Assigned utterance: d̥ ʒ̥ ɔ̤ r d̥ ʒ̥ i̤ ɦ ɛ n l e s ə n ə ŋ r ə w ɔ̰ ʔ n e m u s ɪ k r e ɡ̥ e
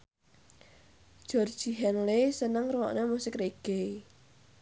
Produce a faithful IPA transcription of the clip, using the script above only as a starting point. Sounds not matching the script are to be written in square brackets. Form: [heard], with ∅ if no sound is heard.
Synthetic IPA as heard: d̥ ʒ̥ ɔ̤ r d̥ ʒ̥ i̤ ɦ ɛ n l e s ə n ə ŋ r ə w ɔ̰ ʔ n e m u s ɪ k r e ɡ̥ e

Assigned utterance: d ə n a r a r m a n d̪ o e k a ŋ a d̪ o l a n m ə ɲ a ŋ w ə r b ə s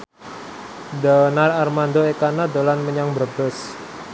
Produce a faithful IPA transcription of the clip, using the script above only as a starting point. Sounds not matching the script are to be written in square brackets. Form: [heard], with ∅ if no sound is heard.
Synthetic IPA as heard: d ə n a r a r m a n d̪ o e k a [n] a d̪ o l a n m ə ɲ a ŋ [b] ə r b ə s

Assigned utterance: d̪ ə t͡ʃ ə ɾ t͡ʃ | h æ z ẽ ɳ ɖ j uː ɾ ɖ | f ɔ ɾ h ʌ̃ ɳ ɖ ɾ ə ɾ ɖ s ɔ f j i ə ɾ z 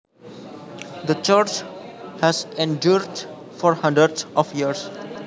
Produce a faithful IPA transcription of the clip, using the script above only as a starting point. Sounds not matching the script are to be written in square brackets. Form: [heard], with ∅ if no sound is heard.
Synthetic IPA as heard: d̪ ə t͡ʃ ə ɾ t͡ʃ | h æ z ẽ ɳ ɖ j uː ɾ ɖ | f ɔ ɾ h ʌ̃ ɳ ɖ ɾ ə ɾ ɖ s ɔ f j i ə ɾ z

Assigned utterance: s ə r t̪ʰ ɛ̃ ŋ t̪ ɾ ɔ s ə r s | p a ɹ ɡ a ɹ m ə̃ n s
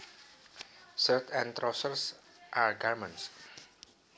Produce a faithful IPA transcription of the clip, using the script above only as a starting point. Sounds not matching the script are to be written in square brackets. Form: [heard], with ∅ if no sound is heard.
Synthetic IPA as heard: s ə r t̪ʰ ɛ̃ [n] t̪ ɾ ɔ s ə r s | [ʔ] a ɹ ɡ a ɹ m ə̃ n s

